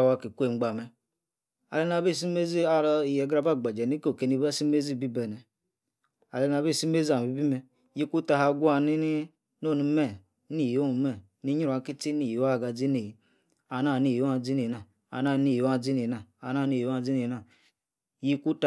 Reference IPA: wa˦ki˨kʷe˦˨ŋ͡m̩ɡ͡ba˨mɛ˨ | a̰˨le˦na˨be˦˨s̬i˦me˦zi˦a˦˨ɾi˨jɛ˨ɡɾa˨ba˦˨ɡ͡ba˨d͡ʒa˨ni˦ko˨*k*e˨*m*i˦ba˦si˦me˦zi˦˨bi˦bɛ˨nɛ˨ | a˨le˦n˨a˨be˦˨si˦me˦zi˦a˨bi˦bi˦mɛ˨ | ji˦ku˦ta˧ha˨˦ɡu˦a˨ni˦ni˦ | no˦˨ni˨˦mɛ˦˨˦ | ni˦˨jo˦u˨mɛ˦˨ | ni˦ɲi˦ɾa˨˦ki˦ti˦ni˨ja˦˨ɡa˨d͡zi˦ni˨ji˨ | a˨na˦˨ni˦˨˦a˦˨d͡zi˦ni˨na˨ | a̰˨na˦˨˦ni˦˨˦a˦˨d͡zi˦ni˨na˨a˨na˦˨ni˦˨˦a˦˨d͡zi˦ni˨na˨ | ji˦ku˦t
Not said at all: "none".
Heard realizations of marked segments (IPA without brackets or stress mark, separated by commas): k, n